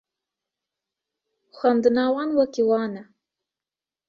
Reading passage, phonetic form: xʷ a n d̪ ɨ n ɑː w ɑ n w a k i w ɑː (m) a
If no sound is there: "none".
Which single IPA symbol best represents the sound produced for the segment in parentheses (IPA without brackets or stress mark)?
n